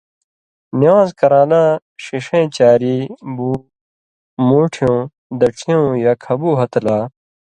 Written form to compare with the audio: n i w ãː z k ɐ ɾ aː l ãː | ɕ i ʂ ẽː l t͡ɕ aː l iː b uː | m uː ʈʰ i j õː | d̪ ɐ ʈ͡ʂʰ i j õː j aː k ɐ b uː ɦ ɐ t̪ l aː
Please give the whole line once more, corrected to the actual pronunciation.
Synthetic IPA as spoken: n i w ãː z k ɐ ɾ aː l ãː | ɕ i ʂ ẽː t͡ɕ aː ɾ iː b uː | m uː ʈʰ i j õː | d̪ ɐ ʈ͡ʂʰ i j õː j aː kʰ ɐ b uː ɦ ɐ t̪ l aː

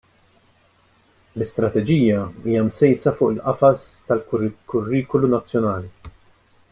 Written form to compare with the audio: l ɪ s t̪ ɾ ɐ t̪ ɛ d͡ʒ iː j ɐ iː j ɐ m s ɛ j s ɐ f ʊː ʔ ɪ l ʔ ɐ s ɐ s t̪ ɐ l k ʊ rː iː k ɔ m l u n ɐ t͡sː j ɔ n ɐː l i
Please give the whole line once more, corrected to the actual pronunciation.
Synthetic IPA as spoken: l ɪ s t̪ ɾ ɐ t̪ ɛ d͡ʒ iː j ɐ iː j ɐ m s ɛ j s ɐ f ʊː ʔ ɪ l ʔ ɐ f ɐ s t̪ ɐ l k ʊ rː iː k ɔ l u n ɐ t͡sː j ɔ n ɐː l i

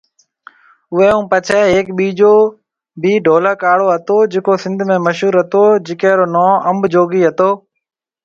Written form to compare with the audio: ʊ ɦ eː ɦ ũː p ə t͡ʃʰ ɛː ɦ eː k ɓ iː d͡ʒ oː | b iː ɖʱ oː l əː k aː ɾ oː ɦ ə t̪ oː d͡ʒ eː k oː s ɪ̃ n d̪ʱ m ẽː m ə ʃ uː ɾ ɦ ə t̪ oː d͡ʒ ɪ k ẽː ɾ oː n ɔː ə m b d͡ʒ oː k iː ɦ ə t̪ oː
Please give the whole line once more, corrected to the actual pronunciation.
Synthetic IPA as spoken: ʊ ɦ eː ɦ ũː p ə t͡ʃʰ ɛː ɦ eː k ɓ iː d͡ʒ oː | b iː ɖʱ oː l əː k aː ɽ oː ɦ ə t̪ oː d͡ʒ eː k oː s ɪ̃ n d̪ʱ m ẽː m ə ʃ uː ɾ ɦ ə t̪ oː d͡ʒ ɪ k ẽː ɾ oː n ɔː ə m b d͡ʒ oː ɡ iː ɦ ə t̪ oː

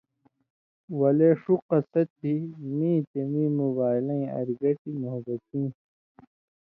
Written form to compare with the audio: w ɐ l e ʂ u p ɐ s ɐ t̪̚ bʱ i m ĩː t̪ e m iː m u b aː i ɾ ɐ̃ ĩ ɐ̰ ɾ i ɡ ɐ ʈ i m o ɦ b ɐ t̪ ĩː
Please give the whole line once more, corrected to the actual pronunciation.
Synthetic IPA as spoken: w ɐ l e ʂ u q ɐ s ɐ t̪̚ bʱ i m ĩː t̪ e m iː m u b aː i l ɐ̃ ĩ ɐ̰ ɾ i ɡ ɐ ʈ i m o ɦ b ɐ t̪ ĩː

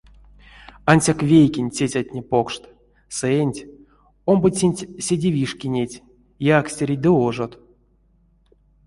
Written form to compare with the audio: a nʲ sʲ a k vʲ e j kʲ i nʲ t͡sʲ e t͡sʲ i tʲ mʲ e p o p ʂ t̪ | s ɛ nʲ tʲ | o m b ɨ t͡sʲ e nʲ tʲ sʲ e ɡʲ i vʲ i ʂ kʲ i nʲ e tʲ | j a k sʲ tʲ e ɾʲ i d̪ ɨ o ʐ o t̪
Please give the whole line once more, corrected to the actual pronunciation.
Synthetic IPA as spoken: a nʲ sʲ a k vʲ e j kʲ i nʲ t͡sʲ e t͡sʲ a tʲ nʲ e p o k ʂ t̪ | s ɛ nʲ tʲ | o m b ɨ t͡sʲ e nʲ tʲ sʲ e dʲ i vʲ i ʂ kʲ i nʲ e tʲ | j a k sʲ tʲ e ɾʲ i d̪ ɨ o ʐ o t̪

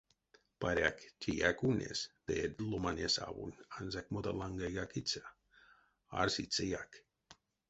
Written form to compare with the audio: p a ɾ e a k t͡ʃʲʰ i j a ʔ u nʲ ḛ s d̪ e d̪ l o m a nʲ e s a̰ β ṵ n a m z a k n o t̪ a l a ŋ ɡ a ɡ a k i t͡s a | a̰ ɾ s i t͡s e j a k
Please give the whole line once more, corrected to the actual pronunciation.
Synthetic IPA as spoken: p a ɾ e a k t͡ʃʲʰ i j a k u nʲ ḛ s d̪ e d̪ l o m a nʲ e s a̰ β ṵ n a n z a k m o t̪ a l a ŋ ɡ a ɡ a k i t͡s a | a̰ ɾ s i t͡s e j a k

